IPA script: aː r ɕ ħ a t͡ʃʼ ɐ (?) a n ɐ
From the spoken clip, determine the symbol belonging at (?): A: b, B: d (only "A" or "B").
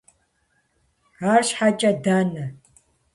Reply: B